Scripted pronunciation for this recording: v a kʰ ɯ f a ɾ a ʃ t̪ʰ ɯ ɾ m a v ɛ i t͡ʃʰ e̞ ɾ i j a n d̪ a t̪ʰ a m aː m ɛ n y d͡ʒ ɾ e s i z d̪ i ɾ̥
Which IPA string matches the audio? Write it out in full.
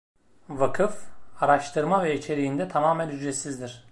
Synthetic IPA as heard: v a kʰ ɯ f a ɾ a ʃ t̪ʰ ɯ ɾ m a v ɛ i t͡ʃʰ e̞ ɾ i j i n d̪ ɛ t̪ʰ a m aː m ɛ n y d͡ʒ ɾ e s i z d̪ i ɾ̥